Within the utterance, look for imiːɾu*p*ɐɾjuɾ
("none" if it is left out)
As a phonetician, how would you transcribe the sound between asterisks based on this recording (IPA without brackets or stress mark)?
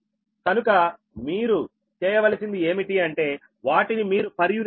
p